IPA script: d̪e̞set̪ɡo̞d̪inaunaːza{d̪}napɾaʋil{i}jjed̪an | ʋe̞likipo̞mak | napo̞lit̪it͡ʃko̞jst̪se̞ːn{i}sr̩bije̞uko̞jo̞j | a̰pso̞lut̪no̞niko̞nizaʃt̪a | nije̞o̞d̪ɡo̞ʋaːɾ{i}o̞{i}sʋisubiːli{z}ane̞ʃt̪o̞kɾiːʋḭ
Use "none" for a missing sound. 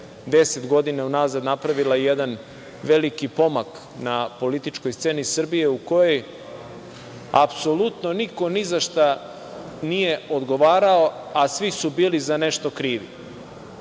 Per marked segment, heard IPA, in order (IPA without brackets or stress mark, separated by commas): d̪, a, i, a, a, z